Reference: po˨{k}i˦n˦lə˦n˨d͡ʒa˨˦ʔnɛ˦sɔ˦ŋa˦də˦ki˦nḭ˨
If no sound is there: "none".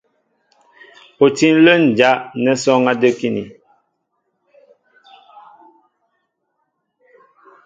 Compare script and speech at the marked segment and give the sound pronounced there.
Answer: t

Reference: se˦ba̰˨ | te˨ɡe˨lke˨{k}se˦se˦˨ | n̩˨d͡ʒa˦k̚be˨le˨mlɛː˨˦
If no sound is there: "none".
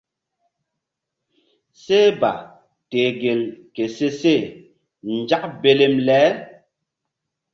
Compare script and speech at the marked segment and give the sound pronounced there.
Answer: none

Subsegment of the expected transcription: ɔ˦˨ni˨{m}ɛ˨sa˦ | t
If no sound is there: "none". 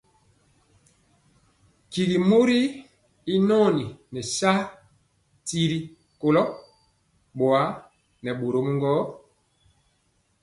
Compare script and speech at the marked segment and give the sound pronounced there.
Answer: n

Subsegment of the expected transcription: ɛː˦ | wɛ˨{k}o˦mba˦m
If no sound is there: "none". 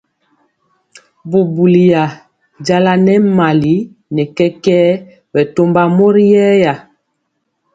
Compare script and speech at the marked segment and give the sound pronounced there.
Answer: t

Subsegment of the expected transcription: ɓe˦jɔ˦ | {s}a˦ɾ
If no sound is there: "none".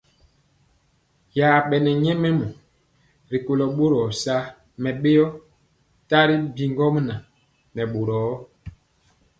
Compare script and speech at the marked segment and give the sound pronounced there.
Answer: t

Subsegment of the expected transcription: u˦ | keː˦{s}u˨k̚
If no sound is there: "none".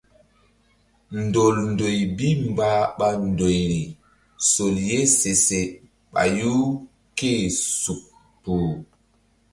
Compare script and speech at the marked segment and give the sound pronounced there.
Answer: s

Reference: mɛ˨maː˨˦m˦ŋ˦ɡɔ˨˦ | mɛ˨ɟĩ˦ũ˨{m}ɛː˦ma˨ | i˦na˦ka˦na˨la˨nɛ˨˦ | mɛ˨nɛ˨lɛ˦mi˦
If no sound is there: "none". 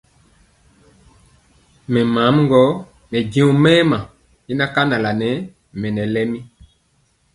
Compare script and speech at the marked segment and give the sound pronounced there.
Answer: m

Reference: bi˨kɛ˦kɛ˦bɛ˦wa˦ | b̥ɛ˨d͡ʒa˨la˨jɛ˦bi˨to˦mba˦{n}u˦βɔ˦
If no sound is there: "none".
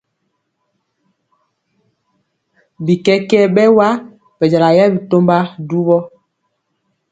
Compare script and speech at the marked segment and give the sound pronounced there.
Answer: d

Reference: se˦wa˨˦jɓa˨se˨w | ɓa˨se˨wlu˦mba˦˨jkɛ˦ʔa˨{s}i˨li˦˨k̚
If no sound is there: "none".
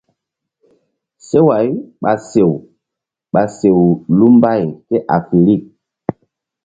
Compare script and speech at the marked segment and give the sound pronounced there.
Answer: f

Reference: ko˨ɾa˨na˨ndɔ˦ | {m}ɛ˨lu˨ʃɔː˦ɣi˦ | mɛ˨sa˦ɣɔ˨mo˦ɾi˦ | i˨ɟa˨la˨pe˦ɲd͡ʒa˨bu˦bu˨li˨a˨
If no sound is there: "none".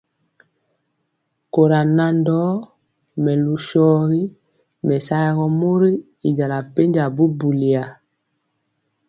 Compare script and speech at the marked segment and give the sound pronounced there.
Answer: m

